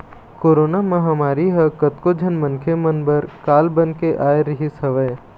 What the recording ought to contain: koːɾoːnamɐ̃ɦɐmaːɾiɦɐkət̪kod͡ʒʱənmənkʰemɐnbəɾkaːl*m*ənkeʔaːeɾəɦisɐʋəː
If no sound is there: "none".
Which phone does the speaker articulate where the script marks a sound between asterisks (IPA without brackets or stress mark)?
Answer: b